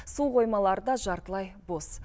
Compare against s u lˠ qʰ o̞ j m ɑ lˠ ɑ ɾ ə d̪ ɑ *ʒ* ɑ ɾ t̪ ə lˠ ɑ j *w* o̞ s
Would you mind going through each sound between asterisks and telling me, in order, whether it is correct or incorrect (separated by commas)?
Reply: correct, incorrect